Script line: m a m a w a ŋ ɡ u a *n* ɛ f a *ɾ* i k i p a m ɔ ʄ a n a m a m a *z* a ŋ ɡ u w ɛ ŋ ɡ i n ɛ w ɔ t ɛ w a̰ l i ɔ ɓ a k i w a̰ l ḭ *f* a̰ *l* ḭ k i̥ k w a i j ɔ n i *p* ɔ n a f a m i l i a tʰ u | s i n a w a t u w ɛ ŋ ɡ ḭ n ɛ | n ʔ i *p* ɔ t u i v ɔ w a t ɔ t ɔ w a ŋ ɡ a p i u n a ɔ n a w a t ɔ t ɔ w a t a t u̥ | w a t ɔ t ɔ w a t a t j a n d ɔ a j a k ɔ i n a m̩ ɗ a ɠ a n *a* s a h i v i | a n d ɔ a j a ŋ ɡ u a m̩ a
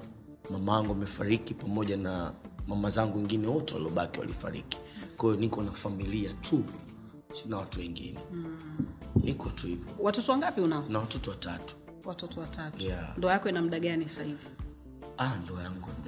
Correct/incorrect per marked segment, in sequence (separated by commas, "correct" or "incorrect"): incorrect, correct, correct, correct, incorrect, incorrect, incorrect, incorrect